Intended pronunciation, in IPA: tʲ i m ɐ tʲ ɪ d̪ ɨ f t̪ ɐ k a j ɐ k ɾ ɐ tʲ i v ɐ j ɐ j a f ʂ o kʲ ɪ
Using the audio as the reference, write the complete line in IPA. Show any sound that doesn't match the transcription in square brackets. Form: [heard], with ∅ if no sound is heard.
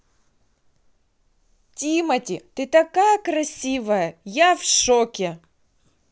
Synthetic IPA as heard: tʲ i m ɐ tʲ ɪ [t̪] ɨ [∅] t̪ ɐ k a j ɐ k ɾ ɐ [sʲ] i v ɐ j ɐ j a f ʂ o kʲ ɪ